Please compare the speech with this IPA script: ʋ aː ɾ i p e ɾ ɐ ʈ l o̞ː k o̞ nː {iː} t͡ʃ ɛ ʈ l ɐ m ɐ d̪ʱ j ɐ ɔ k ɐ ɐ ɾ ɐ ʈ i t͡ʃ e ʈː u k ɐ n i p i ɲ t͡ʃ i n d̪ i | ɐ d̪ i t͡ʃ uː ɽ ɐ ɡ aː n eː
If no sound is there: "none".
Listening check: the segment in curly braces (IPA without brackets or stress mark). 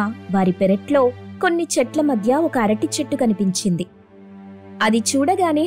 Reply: i